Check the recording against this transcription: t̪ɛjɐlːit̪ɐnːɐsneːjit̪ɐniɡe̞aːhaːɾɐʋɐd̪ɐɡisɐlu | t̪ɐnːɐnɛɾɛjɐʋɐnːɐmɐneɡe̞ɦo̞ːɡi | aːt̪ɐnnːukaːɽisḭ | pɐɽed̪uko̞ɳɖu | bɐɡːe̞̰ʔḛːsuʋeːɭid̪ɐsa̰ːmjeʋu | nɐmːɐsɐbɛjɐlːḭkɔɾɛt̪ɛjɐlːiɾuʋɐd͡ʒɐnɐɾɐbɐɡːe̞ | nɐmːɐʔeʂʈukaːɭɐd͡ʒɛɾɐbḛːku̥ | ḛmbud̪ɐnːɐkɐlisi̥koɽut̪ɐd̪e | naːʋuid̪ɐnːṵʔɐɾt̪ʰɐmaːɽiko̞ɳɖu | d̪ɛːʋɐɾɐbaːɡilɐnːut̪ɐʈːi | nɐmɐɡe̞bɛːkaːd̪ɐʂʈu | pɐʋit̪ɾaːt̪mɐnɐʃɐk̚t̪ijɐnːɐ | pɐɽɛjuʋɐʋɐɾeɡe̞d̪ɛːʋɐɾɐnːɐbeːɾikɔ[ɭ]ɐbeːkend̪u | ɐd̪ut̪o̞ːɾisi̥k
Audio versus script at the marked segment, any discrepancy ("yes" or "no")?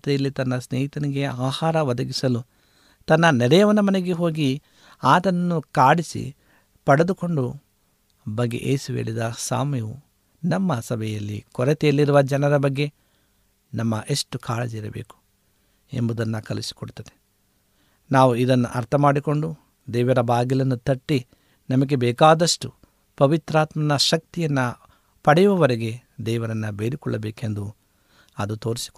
yes